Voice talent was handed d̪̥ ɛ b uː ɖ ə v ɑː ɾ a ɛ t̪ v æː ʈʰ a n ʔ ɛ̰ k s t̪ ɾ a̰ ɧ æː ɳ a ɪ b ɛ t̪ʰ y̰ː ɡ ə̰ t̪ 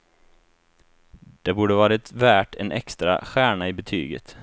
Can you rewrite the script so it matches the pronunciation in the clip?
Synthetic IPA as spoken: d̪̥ ɛ b uː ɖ ə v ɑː ɾ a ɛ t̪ v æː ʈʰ ɛ n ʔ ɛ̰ k s t̪ ɾ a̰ ɧ æː ɳ a ɪ b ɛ t̪ʰ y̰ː ɡ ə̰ t̪